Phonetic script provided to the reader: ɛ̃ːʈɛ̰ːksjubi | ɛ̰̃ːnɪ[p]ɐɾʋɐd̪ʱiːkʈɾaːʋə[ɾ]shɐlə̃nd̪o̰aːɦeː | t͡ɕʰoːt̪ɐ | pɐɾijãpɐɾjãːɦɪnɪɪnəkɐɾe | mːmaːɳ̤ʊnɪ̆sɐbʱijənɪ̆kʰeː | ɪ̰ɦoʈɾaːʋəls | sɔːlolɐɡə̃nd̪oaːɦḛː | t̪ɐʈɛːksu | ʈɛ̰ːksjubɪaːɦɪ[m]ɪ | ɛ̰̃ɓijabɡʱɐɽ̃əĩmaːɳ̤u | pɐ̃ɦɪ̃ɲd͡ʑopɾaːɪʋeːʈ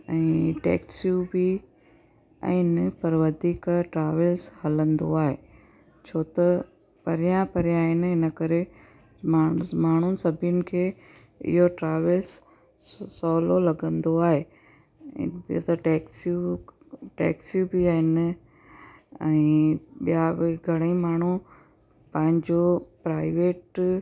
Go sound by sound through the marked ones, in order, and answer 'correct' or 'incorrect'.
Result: correct, incorrect: l, incorrect: n

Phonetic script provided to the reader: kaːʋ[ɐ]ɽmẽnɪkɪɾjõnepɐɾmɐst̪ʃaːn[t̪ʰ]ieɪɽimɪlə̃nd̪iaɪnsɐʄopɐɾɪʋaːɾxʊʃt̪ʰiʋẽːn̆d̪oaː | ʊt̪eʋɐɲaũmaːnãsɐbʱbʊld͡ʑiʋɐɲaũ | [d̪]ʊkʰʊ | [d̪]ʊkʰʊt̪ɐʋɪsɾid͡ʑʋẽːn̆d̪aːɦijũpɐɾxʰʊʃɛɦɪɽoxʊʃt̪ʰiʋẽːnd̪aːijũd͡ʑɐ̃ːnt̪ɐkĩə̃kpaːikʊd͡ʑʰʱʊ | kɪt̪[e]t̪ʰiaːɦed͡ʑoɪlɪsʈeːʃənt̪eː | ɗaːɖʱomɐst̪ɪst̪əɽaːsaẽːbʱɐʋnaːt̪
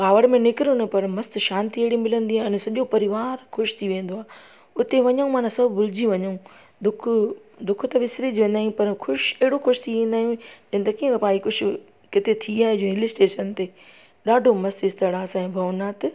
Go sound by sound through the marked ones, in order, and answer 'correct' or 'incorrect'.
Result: incorrect: ə, incorrect: t̪, correct, correct, correct

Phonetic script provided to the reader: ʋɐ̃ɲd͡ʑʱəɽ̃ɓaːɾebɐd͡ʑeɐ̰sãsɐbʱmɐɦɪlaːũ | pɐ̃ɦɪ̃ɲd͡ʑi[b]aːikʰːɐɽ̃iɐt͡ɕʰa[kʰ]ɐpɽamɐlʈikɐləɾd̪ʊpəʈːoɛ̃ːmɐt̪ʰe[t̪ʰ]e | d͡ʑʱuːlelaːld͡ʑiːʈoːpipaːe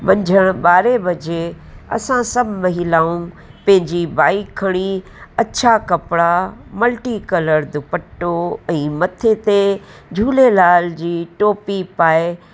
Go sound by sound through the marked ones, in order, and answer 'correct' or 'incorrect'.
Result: correct, incorrect: k, incorrect: t̪

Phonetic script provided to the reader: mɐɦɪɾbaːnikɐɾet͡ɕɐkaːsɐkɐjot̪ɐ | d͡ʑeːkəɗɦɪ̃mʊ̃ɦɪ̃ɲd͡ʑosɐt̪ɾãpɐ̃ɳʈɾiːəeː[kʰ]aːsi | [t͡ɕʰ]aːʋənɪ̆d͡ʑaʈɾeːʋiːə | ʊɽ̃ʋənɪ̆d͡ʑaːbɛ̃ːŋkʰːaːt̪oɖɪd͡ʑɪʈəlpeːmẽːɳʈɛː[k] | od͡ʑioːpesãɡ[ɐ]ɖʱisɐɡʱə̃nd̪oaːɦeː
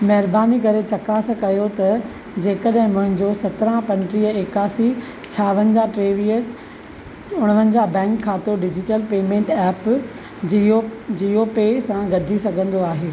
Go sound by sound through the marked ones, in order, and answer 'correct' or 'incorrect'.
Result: incorrect: k, correct, incorrect: p, correct

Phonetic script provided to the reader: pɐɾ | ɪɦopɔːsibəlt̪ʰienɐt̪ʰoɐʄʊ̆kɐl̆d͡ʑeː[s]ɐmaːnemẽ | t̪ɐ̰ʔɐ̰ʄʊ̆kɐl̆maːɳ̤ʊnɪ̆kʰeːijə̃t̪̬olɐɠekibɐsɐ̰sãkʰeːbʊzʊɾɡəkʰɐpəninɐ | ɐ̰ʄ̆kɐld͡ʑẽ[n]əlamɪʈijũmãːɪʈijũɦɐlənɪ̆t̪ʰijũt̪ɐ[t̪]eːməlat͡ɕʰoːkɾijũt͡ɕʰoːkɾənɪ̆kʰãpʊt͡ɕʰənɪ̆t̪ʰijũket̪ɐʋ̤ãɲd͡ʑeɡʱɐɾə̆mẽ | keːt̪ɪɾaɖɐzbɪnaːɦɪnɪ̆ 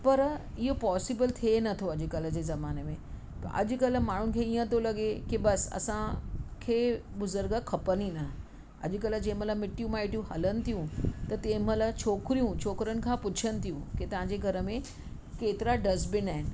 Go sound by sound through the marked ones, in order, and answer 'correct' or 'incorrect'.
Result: incorrect: z, incorrect: m, correct

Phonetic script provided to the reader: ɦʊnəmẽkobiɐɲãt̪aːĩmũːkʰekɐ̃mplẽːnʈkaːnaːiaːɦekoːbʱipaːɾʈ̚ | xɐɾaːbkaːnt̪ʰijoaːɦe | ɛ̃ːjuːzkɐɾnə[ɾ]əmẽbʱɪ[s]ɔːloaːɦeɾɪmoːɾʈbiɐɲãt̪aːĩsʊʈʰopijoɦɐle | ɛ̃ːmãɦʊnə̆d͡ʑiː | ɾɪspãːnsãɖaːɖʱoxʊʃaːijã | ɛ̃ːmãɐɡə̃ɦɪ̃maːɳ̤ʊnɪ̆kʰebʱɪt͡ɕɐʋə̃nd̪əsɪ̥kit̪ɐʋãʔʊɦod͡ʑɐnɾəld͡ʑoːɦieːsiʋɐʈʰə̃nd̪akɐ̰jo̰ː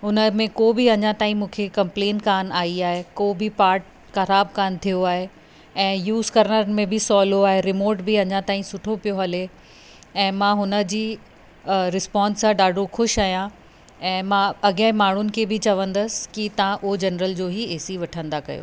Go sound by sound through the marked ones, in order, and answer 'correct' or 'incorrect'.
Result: correct, correct

